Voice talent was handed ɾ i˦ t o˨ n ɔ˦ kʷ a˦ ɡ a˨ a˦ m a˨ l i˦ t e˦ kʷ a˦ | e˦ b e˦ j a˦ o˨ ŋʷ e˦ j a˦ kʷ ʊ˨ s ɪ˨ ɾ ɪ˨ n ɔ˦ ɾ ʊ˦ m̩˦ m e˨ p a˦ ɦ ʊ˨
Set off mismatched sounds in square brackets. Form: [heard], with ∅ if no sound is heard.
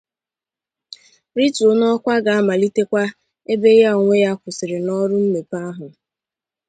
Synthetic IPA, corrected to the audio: ɾ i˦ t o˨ n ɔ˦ kʷ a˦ ɡ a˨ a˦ m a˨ l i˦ t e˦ kʷ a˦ | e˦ b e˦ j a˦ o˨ ŋʷ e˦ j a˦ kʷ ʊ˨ s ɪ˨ ɾ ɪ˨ n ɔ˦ ɾ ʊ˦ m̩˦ m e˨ p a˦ ɦ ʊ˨